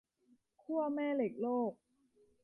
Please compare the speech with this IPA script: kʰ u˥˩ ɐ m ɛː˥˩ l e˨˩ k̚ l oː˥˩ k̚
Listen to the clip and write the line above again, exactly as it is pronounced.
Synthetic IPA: kʰ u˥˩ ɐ m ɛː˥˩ l e˨˩ k̚ l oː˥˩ k̚